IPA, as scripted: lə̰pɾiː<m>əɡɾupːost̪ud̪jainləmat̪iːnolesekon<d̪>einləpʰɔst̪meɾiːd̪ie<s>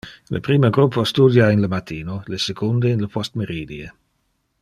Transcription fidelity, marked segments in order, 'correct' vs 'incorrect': correct, correct, incorrect: none

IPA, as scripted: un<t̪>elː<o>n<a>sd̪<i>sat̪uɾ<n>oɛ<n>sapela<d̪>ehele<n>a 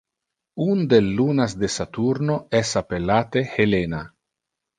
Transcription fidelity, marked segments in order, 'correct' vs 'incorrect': incorrect: d̪, incorrect: u, correct, incorrect: e, correct, incorrect: none, incorrect: t̪, correct

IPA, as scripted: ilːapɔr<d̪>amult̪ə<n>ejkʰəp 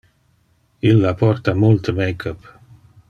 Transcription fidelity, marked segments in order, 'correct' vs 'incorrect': incorrect: t̪, incorrect: m

